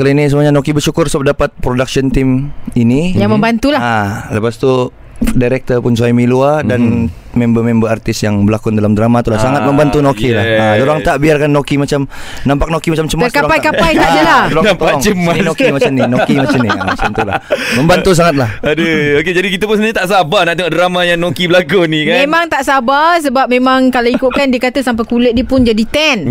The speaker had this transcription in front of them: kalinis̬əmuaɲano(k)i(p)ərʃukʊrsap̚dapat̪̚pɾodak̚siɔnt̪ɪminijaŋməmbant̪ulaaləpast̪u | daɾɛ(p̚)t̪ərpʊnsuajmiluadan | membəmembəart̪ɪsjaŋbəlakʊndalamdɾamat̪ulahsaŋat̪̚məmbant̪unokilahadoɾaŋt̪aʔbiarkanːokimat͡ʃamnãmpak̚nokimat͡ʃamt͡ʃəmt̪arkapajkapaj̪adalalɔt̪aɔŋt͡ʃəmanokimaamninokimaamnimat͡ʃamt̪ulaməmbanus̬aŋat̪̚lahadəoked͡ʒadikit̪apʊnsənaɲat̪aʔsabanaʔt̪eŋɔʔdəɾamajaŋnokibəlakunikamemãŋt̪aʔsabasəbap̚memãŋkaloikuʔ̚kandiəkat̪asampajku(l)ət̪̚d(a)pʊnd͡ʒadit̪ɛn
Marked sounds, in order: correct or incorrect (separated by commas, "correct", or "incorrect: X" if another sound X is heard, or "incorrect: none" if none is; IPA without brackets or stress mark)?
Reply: correct, incorrect: b, incorrect: k̚, correct, incorrect: i